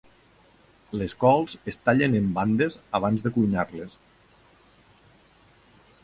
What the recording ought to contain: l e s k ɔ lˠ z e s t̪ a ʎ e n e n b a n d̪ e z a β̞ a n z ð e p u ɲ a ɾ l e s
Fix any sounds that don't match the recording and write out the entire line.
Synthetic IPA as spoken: l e s k ɔ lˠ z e s t̪ a ʎ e n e m b a n d̪ e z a β̞ a n z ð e k u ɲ a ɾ l e s